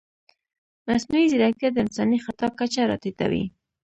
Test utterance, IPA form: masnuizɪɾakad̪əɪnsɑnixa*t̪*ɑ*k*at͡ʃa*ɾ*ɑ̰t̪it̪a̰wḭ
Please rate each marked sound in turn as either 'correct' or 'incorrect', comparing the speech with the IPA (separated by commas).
correct, correct, correct